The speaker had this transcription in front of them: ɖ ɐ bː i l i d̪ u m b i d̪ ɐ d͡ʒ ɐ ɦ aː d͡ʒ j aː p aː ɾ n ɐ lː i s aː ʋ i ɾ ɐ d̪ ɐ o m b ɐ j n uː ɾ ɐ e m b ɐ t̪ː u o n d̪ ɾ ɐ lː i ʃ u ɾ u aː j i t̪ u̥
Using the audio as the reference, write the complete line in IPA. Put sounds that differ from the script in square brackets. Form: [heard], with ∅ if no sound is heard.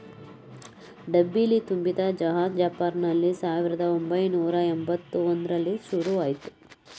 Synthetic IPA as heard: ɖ ɐ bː i l i [t̪] u m b i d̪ ɐ d͡ʒ ɐ ɦ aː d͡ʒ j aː p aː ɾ n ɐ lː i s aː ʋ i ɾ ɐ d̪ ɐ o m b ɐ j n uː ɾ ɐ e m b ɐ t̪ː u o n d̪ ɾ ɐ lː i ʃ u ɾ u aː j i t̪ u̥